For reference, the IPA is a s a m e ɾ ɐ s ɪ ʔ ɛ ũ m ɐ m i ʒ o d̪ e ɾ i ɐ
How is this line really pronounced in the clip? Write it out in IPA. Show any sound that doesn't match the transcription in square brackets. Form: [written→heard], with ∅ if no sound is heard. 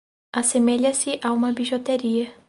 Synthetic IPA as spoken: a s [a→e] m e [ɾ→ʎ] ɐ s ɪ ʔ [ɛ→a] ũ m ɐ [m→b] i ʒ o [d̪→t̪] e ɾ i ɐ

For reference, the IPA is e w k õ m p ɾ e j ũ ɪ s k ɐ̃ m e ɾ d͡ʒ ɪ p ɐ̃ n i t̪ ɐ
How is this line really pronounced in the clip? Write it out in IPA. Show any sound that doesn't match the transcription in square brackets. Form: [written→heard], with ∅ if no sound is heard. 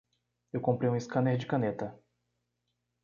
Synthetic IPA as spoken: e w k õ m p ɾ e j ũ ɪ s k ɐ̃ [m→n] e ɾ d͡ʒ ɪ [p→k] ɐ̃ n [i→e] t̪ ɐ

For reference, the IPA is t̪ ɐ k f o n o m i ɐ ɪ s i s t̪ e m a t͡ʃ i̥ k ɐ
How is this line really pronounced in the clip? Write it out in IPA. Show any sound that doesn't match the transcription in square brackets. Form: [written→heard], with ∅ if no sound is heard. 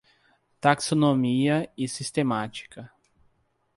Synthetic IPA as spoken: t̪ [ɐ→a] k [f→s] o n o m i ɐ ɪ s i s t̪ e m a t͡ʃ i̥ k ɐ

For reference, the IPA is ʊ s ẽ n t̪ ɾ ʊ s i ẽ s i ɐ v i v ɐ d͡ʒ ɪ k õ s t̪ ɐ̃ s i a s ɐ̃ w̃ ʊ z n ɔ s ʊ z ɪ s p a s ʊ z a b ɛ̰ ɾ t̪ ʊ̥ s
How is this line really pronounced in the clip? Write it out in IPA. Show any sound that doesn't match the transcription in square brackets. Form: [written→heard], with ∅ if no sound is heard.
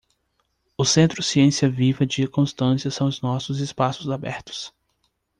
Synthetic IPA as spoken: ʊ s ẽ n t̪ ɾ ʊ s i ẽ s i ɐ v i v ɐ d͡ʒ ɪ k õ s t̪ ɐ̃ s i [a→ɐ] s ɐ̃ w̃ ʊ z n ɔ s ʊ z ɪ s p a s ʊ z a b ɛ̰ ɾ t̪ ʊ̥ s

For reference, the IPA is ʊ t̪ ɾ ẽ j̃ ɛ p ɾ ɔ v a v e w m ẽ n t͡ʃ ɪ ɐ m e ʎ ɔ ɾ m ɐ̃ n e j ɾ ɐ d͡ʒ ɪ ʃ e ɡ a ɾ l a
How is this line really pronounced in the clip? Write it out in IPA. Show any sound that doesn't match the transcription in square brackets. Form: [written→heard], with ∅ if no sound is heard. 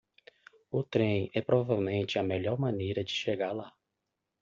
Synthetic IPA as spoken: ʊ t̪ ɾ ẽ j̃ ɛ p ɾ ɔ v a v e w m ẽ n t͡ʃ ɪ ɐ m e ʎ ɔ ɾ m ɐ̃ n e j ɾ ɐ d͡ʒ ɪ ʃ e ɡ a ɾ l a

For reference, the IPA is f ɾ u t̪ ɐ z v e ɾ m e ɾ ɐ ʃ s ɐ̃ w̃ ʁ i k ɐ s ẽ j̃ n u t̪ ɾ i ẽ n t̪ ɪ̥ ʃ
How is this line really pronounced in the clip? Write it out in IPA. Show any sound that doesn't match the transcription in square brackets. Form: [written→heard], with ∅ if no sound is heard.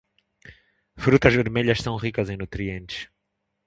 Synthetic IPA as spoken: f ɾ u t̪ ɐ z v e ɾ m e [ɾ→ʎ] ɐ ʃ s ɐ̃ w̃ ʁ i k ɐ [s→z] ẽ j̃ n u t̪ ɾ i ẽ n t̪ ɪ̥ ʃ

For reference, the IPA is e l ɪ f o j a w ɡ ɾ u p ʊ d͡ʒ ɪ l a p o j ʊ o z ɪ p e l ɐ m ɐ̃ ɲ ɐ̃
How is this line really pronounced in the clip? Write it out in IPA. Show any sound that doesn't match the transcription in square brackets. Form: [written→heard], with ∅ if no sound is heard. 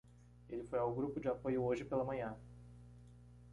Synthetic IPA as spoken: e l ɪ f o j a w ɡ ɾ u p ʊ d͡ʒ ɪ [l→∅] a p o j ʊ o [z→ʒ] ɪ p e l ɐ m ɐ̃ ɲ ɐ̃

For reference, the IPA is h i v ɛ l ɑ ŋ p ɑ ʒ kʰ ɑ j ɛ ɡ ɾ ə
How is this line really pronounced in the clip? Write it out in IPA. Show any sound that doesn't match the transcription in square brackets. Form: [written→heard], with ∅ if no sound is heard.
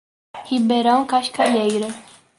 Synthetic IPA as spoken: h i [v→b] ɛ [l→ɾ] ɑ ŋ [p→k] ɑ [ʒ→ʃ] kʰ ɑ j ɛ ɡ ɾ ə

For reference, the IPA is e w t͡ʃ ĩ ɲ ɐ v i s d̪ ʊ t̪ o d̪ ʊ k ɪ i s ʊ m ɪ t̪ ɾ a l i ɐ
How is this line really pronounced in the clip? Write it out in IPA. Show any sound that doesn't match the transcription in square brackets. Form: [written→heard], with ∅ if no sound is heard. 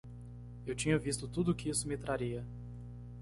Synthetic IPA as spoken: e w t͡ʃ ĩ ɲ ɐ v i s [d̪→t̪] ʊ t̪ [o→u] d̪ ʊ k ɪ i s ʊ m ɪ t̪ ɾ a [l→ɾ] i ɐ

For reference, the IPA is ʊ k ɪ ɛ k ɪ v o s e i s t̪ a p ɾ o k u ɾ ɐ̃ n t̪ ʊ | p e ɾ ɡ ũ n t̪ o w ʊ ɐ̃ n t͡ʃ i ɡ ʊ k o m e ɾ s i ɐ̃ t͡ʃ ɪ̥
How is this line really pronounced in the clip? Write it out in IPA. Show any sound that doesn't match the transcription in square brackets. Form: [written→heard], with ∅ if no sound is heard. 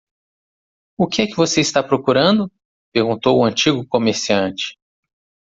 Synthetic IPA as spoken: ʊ k ɪ ɛ k ɪ v o s e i s t̪ a p ɾ o k u ɾ ɐ̃ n [t̪→d̪] ʊ | p e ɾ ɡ ũ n t̪ o w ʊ ɐ̃ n t͡ʃ i ɡ ʊ k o m e ɾ s i ɐ̃ t͡ʃ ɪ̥

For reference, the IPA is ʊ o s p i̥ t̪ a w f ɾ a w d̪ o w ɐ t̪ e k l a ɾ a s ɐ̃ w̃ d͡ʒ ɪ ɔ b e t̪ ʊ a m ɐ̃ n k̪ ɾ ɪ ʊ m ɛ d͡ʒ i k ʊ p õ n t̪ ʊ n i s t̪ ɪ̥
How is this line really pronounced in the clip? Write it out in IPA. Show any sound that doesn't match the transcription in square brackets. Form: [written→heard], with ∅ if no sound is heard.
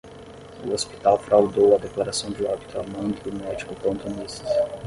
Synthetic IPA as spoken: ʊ o s p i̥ t̪ a w f ɾ a w d̪ o w ɐ [t̪→d̪] e k l a ɾ a s ɐ̃ w̃ d͡ʒ ɪ ɔ b [e→i] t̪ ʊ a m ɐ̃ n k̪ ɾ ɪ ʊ m ɛ d͡ʒ i k ʊ p õ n t̪ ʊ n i s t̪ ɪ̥

